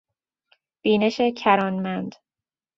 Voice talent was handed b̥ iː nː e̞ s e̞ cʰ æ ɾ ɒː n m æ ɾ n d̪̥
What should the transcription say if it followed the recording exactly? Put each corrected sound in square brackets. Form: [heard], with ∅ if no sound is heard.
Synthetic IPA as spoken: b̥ iː [n] e̞ [ʃ] e̞ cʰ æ ɾ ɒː n m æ [∅] n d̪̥